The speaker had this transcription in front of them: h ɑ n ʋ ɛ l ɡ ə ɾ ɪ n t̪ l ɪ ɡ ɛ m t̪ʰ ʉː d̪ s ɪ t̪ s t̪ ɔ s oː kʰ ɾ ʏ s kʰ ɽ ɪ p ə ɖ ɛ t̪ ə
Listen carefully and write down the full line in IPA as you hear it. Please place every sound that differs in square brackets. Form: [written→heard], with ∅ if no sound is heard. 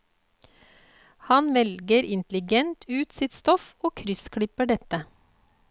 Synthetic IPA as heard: h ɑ n ʋ ɛ l ɡ ə ɾ ɪ n t̪ l ɪ ɡ ɛ [m→n] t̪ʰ ʉː [d̪→t̪] s ɪ t̪ s t̪ ɔ [s→f] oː kʰ ɾ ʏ s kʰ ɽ ɪ p ə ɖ ɛ t̪ ə